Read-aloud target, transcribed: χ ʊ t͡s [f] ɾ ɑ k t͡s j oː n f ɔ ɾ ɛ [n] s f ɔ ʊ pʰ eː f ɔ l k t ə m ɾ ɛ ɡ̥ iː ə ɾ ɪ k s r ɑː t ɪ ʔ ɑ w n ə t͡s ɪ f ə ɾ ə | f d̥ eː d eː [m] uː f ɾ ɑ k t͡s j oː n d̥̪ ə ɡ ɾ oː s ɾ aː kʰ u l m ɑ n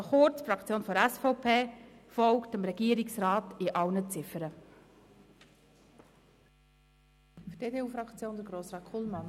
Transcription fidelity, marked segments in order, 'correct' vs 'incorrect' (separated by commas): correct, incorrect, incorrect